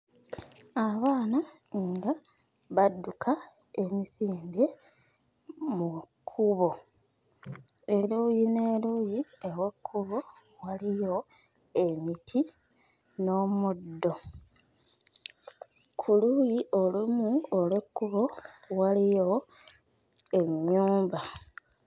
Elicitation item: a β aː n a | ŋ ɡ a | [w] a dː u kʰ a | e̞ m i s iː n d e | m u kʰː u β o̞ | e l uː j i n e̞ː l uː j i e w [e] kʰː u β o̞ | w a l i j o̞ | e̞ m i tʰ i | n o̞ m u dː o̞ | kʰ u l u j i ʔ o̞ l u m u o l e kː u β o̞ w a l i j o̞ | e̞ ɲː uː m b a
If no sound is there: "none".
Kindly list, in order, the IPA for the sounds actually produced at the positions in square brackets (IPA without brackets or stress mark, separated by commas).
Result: β, e